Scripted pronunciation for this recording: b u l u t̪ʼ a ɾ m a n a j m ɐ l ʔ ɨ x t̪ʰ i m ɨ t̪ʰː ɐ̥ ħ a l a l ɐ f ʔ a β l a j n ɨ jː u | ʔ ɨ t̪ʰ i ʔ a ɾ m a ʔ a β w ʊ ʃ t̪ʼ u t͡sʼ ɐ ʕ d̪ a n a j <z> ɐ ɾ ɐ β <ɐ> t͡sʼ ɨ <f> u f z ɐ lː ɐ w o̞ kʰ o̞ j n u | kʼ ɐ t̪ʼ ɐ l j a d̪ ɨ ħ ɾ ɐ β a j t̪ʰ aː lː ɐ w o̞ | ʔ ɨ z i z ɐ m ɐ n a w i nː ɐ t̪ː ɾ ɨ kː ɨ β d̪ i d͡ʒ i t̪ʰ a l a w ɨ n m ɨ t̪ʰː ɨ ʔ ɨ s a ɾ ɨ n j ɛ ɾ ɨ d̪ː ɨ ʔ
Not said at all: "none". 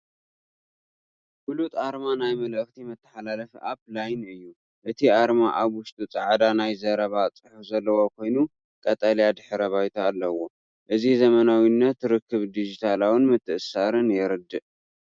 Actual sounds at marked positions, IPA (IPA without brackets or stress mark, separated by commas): z, a, ħ